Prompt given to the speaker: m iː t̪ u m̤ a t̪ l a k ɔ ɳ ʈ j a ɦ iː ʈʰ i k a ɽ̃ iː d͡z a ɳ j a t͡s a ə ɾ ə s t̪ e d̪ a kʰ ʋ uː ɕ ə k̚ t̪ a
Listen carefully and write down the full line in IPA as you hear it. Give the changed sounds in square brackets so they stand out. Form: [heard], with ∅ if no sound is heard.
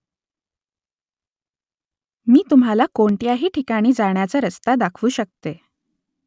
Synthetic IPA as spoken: m iː t̪ u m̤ a [∅] l a k [o] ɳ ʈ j a ɦ iː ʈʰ i k a ɽ̃ iː d͡z a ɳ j a t͡s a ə ɾ ə s t̪ [a] d̪ a kʰ ʋ uː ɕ ə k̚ t̪ [e]